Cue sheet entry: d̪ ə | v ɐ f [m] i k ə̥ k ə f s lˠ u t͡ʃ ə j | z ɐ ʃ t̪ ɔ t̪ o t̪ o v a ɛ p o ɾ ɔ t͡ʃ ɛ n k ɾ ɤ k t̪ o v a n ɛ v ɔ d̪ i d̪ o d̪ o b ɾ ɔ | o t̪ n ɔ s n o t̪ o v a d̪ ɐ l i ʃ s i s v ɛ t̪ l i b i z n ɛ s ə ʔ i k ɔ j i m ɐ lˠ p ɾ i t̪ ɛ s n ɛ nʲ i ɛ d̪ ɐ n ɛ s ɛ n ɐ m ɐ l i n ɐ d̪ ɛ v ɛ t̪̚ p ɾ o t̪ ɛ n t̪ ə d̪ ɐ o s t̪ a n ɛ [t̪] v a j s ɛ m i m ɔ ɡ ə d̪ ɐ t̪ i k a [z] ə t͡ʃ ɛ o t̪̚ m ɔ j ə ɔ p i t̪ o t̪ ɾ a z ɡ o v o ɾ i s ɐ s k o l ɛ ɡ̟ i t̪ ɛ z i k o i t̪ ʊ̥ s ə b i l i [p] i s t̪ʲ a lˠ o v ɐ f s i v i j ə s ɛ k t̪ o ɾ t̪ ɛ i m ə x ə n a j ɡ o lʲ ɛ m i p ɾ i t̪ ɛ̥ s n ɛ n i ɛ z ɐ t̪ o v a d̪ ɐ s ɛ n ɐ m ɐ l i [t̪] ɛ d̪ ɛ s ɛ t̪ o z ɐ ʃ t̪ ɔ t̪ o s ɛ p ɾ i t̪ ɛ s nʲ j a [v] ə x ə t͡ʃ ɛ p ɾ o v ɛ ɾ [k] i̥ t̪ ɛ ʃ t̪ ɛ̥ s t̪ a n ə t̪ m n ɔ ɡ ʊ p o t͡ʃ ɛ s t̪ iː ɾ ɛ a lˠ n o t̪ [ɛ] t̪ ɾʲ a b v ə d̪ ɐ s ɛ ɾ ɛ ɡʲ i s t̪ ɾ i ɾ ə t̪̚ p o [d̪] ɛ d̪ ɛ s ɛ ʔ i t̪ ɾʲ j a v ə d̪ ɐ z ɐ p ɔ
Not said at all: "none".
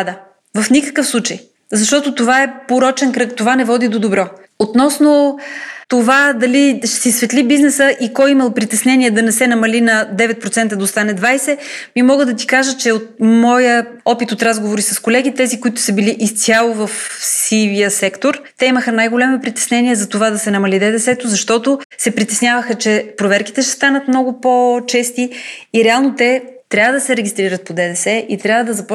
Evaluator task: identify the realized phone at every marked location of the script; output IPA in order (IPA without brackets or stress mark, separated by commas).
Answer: n, d̪, ʒ, ʔ, d̪, v, k, ɛ, d̪